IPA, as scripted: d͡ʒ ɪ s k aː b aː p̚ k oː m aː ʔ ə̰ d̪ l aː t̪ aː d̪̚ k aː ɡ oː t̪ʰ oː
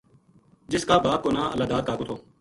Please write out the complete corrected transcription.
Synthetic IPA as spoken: d͡ʒ ɪ s k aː b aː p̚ k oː n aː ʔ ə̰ l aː d̪ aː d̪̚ k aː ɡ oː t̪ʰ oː